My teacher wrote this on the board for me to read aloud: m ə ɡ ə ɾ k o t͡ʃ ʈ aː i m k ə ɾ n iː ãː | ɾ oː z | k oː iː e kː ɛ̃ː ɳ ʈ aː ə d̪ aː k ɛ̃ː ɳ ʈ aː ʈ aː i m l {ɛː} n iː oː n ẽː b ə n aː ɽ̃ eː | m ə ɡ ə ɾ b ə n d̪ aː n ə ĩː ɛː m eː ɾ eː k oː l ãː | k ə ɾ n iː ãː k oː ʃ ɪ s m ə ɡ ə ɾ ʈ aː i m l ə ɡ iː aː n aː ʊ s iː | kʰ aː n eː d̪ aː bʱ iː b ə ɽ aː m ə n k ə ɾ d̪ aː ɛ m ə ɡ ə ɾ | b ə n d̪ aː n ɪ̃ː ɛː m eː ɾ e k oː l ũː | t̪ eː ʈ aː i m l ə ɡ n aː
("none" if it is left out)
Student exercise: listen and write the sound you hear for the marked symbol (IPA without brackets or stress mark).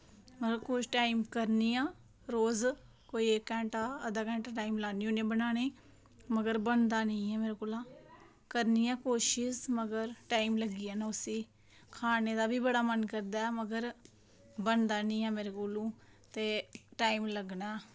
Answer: aː